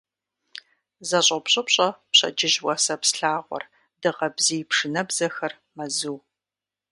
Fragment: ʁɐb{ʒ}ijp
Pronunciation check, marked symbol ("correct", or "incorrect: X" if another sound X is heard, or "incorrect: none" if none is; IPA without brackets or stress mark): incorrect: z